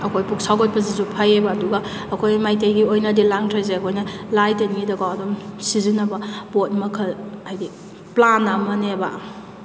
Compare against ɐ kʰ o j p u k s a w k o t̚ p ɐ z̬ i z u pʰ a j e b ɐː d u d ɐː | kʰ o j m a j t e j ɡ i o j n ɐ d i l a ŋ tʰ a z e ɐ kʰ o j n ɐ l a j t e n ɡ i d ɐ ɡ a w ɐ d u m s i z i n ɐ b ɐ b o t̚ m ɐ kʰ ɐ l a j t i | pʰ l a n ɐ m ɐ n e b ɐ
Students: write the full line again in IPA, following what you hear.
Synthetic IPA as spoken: ɐ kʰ o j p u k s a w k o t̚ p ɐ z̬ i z u pʰ a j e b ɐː d u ɡ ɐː | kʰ o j m a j t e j ɡ i o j n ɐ d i l a ŋ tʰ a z e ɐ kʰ o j n ɐ l a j t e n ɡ i d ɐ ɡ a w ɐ d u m s i z i n ɐ b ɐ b o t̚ m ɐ kʰ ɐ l a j d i | p l a n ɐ m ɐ n e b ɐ